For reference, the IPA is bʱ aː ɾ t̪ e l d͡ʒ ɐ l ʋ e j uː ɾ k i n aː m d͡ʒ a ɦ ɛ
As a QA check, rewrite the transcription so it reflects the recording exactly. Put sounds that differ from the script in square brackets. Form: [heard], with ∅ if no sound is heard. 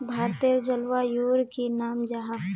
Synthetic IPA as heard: bʱ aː ɾ t̪ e [ɾ] d͡ʒ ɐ l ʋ [a] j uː ɾ k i n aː m d͡ʒ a ɦ [a]